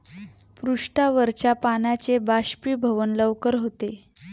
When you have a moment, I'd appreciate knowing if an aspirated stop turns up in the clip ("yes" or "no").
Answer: no